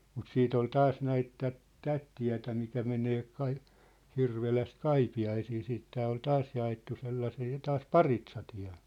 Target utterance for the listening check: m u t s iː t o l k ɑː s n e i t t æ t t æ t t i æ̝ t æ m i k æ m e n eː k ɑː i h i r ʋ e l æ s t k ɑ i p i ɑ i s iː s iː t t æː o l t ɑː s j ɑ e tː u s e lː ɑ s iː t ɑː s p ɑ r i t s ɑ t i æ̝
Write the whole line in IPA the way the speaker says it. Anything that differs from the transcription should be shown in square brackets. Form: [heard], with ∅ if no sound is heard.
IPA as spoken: m u t s iː t o l [t] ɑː s n [æ] i t t æ t t æ t t i æ̝ t æ m i k æ m e n eː k [ɑ] i h i r ʋ e l æ s t k ɑ i p i ɑ i s iː s iː t t æː o l t ɑː s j ɑ e tː u s e lː ɑ s iː t ɑː s p ɑ r i t s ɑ t i æ̝